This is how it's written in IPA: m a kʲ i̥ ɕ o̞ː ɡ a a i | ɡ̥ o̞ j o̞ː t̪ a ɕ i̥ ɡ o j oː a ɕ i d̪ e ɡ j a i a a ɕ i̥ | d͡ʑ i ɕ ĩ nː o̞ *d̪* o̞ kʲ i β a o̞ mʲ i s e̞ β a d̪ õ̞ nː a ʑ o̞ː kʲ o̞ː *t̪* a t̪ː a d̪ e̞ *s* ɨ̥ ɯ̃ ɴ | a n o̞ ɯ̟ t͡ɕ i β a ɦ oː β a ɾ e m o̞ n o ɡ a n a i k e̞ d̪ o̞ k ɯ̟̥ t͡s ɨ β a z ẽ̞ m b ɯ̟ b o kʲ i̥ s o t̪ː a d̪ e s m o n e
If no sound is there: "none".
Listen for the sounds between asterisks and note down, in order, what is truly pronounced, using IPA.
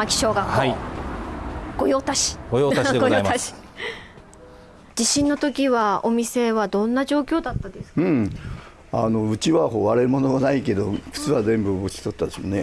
t̪, d̪, s

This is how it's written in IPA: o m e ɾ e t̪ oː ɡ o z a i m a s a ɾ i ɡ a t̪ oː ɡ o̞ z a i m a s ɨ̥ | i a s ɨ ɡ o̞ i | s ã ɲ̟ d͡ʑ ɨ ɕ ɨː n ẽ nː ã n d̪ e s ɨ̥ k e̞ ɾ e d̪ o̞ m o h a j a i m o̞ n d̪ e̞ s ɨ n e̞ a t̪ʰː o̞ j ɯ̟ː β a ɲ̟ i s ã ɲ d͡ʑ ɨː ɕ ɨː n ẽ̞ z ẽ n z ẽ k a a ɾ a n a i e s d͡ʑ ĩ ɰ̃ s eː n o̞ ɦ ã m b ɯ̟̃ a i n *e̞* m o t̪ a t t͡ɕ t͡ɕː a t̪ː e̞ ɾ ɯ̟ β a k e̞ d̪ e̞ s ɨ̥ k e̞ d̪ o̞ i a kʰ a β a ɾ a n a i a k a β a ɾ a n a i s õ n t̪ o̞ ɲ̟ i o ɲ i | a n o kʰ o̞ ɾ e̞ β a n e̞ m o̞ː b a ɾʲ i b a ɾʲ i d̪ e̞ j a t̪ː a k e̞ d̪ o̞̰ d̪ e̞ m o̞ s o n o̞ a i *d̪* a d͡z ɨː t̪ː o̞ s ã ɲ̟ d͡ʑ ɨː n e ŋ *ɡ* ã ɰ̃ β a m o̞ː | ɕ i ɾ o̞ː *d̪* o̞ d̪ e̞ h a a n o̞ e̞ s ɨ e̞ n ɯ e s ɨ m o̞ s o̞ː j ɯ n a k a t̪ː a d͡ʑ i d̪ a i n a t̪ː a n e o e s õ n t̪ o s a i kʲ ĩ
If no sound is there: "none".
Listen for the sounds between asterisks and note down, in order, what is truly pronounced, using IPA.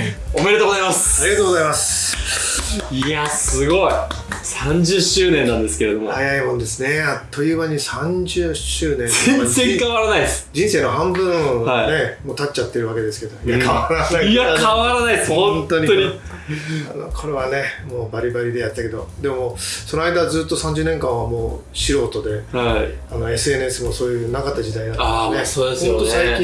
e̞, d̪, k, t̪

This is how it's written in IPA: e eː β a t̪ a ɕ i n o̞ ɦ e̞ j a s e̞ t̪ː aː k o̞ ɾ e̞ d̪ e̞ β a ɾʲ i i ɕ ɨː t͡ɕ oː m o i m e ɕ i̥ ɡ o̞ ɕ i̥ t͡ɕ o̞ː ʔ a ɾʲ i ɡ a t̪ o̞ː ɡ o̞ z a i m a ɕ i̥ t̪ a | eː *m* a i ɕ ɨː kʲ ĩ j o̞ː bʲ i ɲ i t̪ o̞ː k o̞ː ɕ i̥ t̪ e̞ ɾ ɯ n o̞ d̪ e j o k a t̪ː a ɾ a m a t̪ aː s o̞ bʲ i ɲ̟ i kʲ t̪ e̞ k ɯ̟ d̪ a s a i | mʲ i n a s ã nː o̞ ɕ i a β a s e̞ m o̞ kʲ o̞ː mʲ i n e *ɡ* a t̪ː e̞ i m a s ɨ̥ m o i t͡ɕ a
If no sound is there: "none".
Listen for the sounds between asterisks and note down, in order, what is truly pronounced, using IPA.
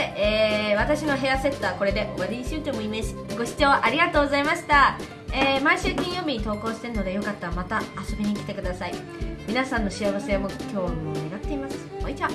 m, ɡ

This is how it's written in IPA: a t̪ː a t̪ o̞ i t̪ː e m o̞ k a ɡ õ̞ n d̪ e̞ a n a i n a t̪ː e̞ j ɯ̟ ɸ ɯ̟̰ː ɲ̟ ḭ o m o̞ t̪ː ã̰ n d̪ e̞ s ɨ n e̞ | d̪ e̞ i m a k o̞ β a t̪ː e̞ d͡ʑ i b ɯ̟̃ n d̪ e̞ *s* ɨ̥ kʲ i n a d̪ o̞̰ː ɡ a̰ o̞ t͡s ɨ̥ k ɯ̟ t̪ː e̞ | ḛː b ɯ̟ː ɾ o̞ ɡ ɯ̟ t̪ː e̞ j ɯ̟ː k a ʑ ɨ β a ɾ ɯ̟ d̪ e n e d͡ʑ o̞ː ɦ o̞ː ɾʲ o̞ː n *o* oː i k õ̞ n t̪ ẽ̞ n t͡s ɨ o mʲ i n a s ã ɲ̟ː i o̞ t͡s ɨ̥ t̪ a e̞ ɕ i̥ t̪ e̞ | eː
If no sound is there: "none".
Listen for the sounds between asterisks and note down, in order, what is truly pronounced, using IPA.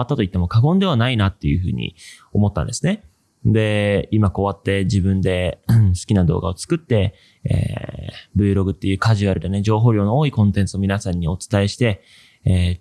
s, o

